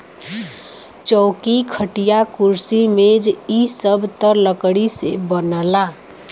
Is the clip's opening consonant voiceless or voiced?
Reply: voiceless